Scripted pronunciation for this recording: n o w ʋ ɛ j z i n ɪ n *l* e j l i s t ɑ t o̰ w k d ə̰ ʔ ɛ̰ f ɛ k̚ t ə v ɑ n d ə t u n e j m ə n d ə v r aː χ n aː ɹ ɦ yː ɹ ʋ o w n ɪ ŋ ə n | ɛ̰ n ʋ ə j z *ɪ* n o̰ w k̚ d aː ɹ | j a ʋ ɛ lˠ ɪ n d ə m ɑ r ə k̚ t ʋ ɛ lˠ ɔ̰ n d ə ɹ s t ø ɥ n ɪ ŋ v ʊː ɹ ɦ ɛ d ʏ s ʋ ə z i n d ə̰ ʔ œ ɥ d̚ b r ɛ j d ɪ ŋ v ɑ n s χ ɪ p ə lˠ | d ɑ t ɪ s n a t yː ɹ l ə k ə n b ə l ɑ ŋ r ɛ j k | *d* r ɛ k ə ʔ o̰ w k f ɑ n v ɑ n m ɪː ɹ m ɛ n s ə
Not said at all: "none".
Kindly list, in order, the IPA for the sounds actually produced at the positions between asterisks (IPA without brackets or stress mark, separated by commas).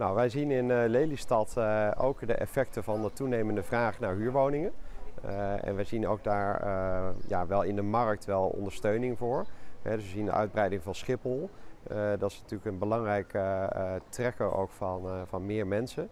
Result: l, i, t